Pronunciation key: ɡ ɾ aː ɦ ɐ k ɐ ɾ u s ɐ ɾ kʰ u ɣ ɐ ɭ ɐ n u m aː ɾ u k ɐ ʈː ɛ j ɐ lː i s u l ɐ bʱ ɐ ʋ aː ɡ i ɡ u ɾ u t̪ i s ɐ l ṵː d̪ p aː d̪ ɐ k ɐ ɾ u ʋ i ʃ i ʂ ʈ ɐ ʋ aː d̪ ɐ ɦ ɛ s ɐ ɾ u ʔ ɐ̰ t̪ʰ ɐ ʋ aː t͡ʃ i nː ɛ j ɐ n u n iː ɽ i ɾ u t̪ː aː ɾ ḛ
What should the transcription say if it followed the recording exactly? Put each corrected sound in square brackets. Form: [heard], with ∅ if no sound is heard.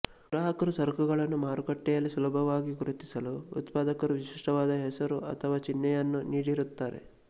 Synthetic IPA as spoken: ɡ ɾ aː ɦ ɐ k ɐ ɾ u s ɐ ɾ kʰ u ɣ ɐ ɭ ɐ [nː] u m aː ɾ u k ɐ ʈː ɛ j ɐ lː i s u l ɐ bʱ ɐ ʋ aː ɡ i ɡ u ɾ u t̪ i s ɐ l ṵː [t̪] p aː d̪ ɐ k ɐ ɾ u ʋ i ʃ i ʂ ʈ ɐ ʋ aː d̪ ɐ ɦ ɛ s ɐ ɾ u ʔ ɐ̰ t̪ʰ ɐ ʋ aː t͡ʃ i nː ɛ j ɐ [nː] u n iː ɽ i ɾ u t̪ː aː ɾ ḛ